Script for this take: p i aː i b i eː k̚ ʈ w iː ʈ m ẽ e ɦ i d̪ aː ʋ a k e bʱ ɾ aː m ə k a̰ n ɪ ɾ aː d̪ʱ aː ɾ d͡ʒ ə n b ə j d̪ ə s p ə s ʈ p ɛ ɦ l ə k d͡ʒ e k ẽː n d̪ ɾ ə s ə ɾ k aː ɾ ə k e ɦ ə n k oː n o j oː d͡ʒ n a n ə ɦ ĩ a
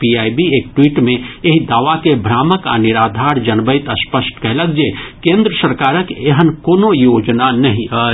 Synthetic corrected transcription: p i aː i b i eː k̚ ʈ w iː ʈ m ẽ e ɦ i d̪ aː ʋ a k e bʱ ɾ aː m ə k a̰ n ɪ ɾ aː d̪ʱ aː ɾ d͡ʒ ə n b ə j t̪ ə s p ə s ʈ k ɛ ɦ l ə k d͡ʒ e k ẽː n d̪ ɾ ə s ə ɾ k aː ɾ ə k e ɦ ə n k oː n o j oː d͡ʒ n a n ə ɦ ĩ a